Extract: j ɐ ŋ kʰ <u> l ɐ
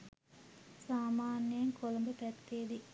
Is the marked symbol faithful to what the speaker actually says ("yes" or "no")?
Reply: no